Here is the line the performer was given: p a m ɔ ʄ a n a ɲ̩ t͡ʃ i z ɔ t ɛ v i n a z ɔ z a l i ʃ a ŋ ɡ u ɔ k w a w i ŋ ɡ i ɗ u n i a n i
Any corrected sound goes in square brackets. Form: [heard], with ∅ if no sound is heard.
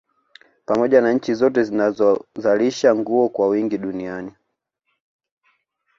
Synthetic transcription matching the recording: p a m ɔ ʄ a n a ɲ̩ t͡ʃ i z ɔ t ɛ [z] i n a z ɔ z a l i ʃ a ŋ ɡ u ɔ k w a w i ŋ ɡ i ɗ u n i a n i